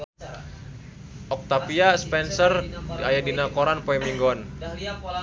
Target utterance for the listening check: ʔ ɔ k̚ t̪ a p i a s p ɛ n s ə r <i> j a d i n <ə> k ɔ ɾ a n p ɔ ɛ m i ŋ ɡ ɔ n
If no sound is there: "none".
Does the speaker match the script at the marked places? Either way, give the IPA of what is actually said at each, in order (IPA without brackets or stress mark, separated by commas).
a, a